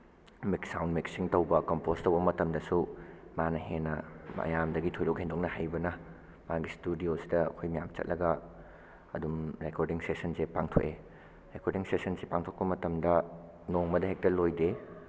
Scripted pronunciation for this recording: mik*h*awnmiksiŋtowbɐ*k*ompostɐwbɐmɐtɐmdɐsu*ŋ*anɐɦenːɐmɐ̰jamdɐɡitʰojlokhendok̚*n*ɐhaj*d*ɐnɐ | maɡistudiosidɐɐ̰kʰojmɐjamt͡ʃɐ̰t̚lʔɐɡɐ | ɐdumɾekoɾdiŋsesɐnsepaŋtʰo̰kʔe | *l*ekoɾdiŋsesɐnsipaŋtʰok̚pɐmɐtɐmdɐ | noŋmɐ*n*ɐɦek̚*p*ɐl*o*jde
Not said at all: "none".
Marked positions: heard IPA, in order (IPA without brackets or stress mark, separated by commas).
s, k, m, n, b, ɾ, d, t, o